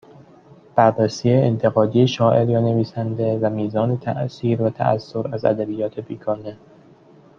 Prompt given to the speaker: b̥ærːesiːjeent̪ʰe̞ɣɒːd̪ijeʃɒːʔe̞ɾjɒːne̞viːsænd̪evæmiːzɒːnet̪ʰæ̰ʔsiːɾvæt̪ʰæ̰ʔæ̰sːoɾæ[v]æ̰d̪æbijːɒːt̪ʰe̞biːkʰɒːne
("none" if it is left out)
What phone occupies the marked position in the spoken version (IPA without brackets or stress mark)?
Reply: z